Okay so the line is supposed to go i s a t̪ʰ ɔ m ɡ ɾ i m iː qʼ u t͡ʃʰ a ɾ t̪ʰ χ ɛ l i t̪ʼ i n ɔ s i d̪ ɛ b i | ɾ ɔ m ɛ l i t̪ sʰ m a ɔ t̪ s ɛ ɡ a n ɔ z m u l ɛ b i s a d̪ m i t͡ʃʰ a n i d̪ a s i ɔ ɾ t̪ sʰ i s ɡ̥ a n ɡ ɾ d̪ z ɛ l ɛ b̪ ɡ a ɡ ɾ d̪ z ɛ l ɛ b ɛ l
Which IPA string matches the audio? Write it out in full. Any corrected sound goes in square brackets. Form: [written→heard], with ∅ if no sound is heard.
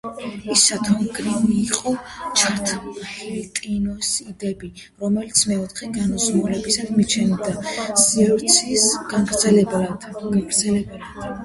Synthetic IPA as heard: i s a t̪ʰ ɔ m ɡ ɾ i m iː qʼ [u→ɔ] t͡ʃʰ a ɾ t̪ʰ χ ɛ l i t̪ʼ i n ɔ s i d̪ ɛ b i | ɾ ɔ m ɛ l i t̪ sʰ m [a→ɛ] ɔ t̪ [s→χ] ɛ ɡ a n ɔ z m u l ɛ b i s a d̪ m i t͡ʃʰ [a→ɛ] n i d̪ a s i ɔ ɾ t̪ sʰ i s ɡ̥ a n ɡ ɾ d̪ z ɛ l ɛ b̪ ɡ a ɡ ɾ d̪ z ɛ l ɛ b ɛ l